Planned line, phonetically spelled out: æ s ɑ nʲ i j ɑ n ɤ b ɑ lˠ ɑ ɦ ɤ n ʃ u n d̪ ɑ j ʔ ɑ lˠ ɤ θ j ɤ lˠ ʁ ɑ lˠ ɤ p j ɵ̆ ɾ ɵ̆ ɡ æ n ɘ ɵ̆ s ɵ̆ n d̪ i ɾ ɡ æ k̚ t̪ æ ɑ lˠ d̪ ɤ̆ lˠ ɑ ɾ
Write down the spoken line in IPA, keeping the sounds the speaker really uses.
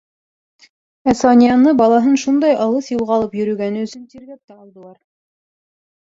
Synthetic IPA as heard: æ s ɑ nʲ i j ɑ n ɤ b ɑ lˠ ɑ ɦ ɤ n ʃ u n d̪ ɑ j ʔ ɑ lˠ ɤ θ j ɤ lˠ ʁ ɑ lˠ ɤ p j ɵ̆ ɾ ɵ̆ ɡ æ n ɘ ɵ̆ s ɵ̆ n t̪ i ɾ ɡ æ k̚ t̪ æ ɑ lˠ d̪ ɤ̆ lˠ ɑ ɾ